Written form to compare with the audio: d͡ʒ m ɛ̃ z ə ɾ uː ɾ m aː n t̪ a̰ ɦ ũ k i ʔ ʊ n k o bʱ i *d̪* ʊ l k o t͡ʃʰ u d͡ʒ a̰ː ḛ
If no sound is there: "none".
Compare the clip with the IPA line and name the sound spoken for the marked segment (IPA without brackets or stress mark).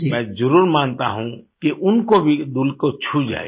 d̪